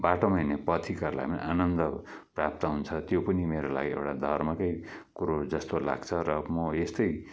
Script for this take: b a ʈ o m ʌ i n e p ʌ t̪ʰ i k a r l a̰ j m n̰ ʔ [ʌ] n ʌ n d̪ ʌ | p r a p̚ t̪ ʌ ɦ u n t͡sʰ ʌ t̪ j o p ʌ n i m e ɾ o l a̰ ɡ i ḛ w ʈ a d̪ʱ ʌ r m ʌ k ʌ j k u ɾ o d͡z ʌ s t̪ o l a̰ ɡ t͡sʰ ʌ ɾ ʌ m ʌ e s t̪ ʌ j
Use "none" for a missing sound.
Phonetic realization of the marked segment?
a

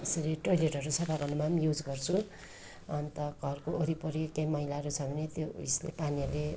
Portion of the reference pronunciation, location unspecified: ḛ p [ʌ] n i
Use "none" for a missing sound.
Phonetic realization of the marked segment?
a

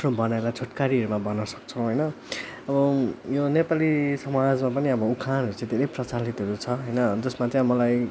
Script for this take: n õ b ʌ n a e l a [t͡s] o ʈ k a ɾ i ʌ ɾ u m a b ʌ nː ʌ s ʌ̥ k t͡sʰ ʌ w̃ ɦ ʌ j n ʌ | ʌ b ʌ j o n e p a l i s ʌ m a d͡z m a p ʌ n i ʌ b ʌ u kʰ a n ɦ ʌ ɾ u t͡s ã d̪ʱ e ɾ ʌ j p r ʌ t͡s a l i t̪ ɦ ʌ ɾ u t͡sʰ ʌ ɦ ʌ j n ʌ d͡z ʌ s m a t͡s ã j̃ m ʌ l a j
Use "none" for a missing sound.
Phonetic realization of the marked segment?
t͡sʰ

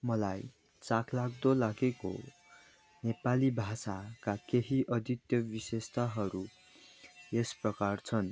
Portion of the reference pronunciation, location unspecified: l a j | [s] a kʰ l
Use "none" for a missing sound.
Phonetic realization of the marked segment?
t͡s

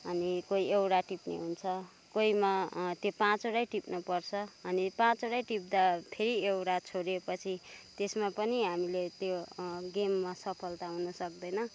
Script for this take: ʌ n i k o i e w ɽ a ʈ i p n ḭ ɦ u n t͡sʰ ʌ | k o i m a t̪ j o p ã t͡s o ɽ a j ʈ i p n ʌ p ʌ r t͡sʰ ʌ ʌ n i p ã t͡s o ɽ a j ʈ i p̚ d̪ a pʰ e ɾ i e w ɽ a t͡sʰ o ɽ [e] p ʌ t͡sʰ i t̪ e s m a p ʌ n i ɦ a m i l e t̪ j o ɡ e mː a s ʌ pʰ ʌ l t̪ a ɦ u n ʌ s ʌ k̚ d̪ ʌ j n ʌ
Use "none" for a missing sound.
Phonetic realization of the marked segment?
e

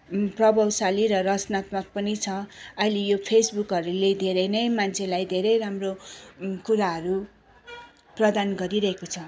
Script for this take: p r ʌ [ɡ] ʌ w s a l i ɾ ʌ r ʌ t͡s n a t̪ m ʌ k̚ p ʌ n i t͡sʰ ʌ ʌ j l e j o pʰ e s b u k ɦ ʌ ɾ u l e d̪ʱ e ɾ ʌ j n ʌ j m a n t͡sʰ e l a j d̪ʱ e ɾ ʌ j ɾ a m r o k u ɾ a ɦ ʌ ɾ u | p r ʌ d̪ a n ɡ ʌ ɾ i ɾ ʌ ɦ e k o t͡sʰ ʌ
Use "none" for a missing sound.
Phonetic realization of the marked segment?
b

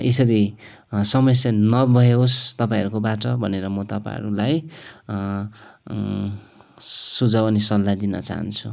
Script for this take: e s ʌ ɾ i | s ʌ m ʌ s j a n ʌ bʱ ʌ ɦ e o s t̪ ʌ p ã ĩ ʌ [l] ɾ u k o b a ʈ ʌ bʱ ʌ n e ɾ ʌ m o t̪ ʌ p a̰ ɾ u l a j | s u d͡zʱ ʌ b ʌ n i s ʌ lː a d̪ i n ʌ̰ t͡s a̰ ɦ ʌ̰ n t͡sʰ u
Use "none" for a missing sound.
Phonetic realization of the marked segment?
none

